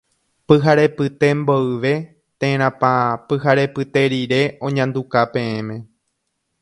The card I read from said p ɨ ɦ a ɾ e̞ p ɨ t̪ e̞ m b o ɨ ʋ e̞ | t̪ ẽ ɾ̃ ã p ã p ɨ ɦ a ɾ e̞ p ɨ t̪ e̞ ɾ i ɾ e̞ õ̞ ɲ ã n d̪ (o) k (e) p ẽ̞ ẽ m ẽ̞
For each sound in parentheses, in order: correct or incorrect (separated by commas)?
incorrect, incorrect